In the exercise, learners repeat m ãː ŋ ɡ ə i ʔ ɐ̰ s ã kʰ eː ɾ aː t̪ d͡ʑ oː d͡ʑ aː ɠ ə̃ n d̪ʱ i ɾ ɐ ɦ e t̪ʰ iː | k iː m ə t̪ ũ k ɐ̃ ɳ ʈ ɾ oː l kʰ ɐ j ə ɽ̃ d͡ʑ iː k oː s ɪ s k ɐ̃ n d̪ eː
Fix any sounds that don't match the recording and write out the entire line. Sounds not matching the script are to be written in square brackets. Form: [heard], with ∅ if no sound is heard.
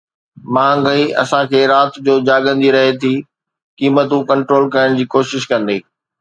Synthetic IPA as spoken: m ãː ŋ ɡ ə i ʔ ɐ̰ s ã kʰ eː ɾ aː t̪ d͡ʑ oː d͡ʑ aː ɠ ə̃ n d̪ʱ i ɾ ɐ ɦ e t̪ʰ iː | k iː m ə t̪ ũ k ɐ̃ ɳ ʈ ɾ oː l [k] ɐ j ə ɽ̃ d͡ʑ iː k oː [ʃ] ɪ [ʃ] k ɐ̃ n d̪ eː